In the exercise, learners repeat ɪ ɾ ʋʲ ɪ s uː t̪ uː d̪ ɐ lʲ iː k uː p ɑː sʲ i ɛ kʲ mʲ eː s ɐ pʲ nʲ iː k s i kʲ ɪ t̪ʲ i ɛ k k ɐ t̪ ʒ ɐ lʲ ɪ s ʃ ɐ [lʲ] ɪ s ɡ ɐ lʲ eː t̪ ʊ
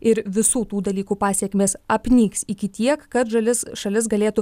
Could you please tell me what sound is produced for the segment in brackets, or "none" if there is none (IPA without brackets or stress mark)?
lʲ